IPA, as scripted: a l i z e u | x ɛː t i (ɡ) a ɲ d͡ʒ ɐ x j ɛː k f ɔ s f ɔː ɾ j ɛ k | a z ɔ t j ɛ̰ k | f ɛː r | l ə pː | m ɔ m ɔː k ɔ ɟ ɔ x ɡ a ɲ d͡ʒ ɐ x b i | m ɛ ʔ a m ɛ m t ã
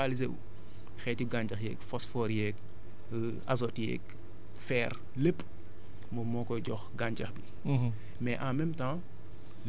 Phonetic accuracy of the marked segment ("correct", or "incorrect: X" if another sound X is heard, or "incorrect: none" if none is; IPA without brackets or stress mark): correct